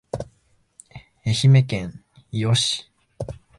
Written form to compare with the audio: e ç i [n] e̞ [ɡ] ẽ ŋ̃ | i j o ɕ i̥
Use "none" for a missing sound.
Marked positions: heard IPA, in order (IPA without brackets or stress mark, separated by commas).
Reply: m, k